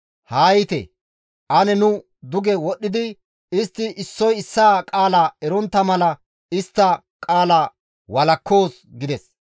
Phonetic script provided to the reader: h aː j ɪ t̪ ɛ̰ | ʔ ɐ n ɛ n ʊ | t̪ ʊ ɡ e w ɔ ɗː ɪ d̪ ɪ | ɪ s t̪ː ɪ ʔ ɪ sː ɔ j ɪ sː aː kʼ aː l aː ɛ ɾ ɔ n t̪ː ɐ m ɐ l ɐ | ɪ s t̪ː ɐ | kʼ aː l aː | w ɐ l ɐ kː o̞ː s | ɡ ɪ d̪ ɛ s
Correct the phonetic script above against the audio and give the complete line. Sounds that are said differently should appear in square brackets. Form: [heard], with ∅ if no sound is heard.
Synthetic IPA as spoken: h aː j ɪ t̪ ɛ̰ | ʔ ɐ n ɛ n ʊ | [d̪] ʊ ɡ [ɛ] w ɔ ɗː ɪ d̪ ɪ | ɪ s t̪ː ɪ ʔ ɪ sː ɔ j ɪ sː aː kʼ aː l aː ɛ ɾ ɔ n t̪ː ɐ m ɐ l ɐ | ɪ s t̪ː ɐ | kʼ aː l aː | w ɐ l ɐ kː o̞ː s | ɡ ɪ d̪ ɛ s